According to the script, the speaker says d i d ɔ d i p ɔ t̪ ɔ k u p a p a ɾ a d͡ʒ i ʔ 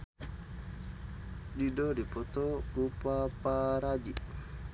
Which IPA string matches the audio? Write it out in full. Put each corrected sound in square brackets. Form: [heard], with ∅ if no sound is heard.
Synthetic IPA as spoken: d i d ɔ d i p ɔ t̪ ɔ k u p a p a ɾ a d͡ʒ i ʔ